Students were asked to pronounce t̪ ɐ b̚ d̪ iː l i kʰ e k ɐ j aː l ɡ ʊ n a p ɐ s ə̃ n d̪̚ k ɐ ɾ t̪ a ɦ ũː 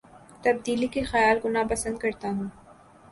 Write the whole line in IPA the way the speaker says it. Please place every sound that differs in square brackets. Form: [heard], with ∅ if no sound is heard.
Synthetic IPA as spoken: t̪ ɐ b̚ d̪ iː l i [k] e [x] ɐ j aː l ɡ ʊ n a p ɐ s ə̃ n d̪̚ k ɐ ɾ t̪ a ɦ ũː